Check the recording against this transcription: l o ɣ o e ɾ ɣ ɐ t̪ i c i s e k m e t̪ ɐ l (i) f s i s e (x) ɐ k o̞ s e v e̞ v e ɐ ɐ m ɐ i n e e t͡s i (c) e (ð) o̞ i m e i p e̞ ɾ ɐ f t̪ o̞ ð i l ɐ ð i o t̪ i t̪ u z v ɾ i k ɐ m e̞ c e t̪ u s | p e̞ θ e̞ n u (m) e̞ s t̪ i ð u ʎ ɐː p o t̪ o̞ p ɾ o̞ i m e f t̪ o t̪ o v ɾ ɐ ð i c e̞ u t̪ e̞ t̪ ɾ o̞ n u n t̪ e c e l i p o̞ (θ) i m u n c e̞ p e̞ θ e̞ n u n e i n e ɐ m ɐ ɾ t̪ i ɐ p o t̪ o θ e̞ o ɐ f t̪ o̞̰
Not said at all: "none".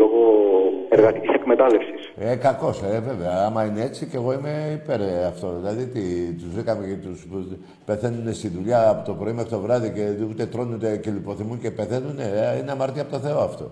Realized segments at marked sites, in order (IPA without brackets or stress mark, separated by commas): e, k, c, ɣ, n, θ